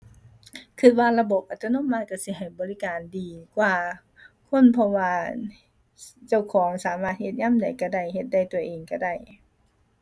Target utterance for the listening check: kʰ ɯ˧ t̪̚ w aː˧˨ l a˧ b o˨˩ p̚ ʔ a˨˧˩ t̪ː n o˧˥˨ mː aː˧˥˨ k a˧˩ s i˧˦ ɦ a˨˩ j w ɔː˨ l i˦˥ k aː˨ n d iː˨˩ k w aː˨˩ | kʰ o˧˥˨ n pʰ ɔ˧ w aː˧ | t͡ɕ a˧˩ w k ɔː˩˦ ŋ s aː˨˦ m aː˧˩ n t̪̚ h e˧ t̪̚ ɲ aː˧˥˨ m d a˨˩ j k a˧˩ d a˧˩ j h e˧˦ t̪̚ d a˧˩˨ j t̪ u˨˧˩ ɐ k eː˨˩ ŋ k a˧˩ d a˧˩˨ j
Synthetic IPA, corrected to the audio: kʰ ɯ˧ t̪̚ w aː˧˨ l a˧ b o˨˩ p̚ ʔ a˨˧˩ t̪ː n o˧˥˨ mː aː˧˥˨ k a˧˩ s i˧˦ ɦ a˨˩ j b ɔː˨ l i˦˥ k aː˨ n d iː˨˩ k w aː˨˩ | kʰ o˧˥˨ n pʰ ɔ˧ w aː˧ | t͡ɕ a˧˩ w kʰ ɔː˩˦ ŋ s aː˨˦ m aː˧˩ t̪̚ h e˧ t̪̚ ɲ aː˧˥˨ m d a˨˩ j k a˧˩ d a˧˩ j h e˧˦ t̪̚ d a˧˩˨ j t̪ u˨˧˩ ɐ ʔ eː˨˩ ŋ k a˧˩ d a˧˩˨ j